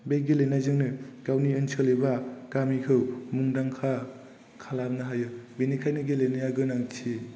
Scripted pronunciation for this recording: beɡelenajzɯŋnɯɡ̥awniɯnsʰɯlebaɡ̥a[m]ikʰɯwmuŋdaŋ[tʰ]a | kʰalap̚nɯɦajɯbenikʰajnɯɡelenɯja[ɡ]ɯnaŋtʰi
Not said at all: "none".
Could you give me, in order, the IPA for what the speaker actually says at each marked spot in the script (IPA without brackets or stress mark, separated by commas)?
m, kʰ, ɡ